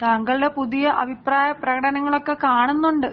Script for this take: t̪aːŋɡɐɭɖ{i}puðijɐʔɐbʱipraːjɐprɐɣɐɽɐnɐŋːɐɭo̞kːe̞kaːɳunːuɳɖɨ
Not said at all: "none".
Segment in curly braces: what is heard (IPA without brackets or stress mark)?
e